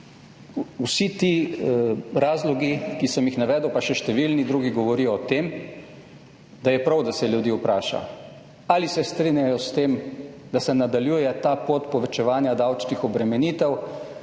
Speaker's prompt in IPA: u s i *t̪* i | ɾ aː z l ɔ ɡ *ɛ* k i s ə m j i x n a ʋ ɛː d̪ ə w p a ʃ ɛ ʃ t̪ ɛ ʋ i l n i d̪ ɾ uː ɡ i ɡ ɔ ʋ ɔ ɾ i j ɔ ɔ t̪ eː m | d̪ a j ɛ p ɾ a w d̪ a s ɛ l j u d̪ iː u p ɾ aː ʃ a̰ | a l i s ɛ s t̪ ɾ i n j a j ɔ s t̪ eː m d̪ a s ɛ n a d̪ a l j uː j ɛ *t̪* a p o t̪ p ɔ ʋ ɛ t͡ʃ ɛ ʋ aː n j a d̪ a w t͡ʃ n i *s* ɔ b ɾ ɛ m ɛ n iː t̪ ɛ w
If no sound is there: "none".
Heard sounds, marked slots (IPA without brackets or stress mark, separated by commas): t̪, i, t̪, x